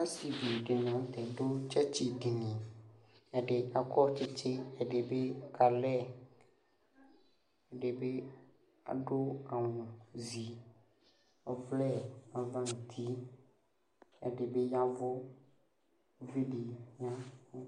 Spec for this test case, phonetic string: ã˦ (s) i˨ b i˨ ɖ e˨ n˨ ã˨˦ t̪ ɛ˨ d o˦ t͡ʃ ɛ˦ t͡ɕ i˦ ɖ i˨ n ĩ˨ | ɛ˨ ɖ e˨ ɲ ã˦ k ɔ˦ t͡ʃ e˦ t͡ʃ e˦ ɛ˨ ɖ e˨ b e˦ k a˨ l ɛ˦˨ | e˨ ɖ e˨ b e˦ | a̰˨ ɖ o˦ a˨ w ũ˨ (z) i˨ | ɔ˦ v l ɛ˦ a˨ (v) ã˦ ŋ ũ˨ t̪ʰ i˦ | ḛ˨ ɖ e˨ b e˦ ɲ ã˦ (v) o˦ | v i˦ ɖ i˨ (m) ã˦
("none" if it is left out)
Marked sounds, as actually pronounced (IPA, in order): s, z, v, v, ɲ

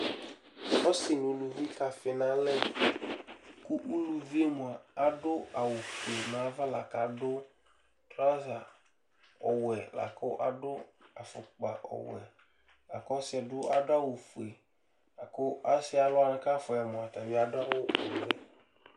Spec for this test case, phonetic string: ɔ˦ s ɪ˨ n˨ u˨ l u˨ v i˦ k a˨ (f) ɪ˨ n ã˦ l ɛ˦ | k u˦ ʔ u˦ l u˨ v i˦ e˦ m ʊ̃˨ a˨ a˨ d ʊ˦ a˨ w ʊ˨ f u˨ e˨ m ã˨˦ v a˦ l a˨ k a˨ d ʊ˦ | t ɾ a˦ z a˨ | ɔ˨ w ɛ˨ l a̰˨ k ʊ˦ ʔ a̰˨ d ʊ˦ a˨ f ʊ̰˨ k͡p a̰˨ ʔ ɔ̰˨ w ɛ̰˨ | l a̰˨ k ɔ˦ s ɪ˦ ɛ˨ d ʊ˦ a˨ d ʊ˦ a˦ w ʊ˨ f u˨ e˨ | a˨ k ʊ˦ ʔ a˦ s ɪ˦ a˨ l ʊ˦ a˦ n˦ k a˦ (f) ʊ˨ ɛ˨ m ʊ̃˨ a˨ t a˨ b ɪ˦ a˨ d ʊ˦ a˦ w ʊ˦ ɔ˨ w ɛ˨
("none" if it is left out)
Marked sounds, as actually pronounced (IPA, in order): f, f

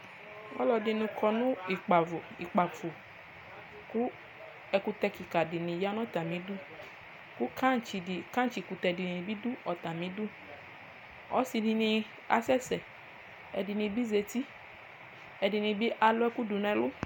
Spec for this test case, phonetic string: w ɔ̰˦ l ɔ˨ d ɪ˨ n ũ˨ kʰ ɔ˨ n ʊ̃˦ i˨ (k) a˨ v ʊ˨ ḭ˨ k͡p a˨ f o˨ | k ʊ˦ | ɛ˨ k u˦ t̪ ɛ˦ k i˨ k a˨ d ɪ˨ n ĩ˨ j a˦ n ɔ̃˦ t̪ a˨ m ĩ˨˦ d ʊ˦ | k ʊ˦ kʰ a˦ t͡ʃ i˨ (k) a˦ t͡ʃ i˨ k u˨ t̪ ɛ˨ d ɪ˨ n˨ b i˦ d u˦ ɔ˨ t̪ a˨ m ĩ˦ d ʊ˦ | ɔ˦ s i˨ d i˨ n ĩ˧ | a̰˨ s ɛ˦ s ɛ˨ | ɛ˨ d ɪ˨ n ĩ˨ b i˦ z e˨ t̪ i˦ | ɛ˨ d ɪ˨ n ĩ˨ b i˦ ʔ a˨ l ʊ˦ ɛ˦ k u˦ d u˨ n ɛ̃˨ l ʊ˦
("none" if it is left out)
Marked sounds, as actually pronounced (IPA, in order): k͡p, k

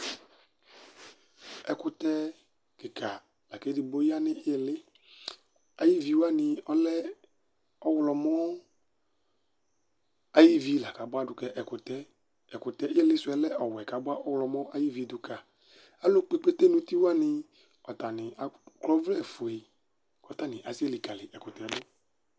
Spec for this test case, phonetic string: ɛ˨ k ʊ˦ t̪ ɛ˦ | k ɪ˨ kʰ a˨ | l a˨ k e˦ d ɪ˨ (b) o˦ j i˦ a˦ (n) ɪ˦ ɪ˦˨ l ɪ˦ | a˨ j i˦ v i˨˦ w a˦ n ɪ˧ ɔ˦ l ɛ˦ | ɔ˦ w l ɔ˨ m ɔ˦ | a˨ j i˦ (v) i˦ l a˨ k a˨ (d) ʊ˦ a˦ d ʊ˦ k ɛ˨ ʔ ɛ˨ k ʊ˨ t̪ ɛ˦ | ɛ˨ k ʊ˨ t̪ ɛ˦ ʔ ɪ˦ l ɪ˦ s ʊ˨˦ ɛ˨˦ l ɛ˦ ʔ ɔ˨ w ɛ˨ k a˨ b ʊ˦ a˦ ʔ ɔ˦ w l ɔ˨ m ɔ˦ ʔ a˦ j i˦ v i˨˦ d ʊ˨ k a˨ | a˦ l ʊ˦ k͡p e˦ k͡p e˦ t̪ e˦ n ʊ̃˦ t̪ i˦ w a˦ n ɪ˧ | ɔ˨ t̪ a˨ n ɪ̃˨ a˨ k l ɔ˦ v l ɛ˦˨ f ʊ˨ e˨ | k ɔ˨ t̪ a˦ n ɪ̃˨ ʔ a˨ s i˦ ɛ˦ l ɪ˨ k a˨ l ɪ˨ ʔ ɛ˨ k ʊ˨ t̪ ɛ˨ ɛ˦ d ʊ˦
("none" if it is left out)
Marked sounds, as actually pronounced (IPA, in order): b, n, v, b

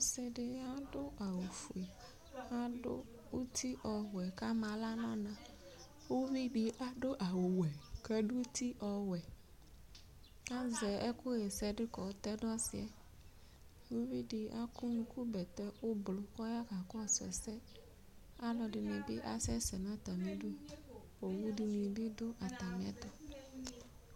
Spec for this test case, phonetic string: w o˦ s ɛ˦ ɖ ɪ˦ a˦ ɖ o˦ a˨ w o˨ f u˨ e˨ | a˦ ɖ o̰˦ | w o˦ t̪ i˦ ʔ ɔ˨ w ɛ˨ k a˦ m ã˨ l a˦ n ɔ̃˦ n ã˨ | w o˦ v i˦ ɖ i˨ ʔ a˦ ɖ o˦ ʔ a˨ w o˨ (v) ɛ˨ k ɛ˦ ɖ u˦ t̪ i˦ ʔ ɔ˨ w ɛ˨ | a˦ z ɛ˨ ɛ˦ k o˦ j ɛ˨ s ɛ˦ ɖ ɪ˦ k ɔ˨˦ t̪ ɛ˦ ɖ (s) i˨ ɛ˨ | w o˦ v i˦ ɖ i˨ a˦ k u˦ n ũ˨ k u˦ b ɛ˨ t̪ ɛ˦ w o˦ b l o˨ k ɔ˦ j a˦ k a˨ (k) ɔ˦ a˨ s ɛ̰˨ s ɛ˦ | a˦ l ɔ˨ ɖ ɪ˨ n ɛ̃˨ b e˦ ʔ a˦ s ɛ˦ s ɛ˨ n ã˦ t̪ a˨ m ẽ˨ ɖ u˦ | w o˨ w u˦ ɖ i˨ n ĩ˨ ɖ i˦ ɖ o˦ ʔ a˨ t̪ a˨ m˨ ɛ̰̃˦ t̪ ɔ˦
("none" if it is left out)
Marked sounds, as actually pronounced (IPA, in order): w, s, k

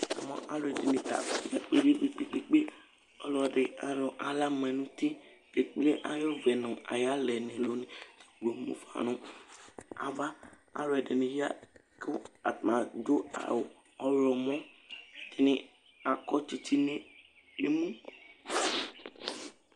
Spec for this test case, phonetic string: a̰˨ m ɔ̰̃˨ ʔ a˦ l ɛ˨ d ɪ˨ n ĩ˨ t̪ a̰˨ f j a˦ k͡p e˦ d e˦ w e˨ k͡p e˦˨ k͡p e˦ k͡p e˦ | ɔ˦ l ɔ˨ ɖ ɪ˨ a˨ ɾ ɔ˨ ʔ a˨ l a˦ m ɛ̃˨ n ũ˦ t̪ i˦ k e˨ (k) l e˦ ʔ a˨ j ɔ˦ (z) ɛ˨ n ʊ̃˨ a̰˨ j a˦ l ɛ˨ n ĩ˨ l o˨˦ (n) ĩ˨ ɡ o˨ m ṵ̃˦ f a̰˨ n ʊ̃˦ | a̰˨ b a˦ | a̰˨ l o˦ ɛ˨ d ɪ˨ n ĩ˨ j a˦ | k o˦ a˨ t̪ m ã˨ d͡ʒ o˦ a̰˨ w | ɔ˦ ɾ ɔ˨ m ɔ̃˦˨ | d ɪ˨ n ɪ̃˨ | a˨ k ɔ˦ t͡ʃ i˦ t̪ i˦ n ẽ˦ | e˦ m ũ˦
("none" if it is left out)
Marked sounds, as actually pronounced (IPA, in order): k͡p, v, n

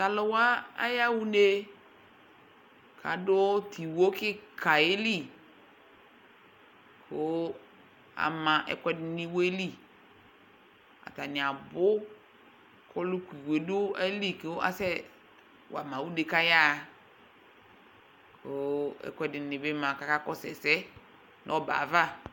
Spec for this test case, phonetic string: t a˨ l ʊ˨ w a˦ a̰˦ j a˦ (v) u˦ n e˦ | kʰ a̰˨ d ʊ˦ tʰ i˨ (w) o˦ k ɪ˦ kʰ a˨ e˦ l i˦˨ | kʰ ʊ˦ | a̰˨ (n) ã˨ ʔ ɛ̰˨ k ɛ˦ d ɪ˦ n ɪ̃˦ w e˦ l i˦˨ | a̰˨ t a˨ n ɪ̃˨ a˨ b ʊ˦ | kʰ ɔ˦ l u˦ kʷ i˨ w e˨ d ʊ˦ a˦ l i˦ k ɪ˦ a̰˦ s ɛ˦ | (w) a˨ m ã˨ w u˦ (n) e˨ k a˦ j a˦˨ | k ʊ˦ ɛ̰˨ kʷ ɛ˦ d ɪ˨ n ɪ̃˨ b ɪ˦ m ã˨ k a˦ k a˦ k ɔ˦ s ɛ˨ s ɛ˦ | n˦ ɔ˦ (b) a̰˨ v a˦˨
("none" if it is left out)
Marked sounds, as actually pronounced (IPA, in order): w, w, m, w, d, b

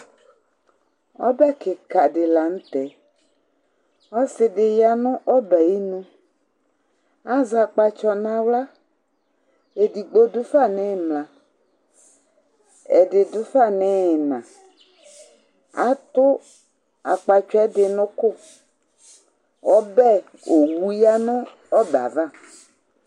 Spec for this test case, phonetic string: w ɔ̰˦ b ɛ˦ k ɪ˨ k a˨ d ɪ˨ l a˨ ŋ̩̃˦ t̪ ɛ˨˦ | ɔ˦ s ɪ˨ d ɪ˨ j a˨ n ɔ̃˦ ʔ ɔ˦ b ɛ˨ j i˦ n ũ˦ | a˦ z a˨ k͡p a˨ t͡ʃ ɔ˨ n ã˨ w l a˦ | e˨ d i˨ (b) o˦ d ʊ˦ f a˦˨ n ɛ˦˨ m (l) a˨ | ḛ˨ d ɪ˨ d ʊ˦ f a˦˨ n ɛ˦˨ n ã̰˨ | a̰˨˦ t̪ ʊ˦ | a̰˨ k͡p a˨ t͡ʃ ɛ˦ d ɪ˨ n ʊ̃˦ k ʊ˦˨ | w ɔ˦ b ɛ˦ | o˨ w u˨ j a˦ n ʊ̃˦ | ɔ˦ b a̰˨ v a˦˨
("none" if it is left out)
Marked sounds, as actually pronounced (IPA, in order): ɡ͡b, l

